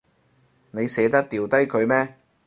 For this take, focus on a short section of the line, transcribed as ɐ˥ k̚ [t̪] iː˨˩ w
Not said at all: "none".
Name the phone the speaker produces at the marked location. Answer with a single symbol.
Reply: t̪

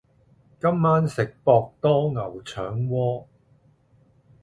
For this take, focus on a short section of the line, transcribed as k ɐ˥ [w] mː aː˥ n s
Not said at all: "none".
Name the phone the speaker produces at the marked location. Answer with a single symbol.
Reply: none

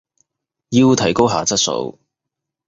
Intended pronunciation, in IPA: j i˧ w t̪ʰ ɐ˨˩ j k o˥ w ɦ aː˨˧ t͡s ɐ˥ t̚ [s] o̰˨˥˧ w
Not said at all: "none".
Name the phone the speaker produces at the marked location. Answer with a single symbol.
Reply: s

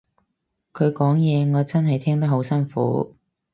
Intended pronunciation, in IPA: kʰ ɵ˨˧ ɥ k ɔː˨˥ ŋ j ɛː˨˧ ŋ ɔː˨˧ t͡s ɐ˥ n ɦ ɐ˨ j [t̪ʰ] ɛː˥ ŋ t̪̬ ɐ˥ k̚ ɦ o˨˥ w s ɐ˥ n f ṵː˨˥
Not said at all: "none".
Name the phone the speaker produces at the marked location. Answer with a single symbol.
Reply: t̪ʰ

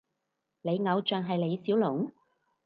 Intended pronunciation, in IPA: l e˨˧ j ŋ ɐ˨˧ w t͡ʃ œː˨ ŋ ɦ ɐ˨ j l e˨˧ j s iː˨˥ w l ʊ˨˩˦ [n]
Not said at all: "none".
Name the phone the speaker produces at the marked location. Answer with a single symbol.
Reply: ŋ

